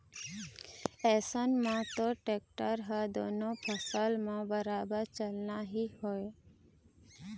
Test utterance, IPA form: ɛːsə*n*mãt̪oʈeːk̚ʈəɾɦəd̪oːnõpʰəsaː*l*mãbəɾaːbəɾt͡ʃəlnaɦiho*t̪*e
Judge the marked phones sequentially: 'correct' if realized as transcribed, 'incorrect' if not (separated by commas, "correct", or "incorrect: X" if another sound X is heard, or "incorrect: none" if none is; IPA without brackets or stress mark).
correct, correct, incorrect: none